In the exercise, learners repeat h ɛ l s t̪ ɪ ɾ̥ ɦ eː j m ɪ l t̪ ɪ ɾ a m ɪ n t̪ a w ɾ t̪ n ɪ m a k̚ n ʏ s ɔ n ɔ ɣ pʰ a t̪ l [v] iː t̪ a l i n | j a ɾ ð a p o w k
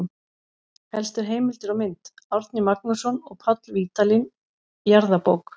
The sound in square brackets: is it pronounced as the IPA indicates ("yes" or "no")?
yes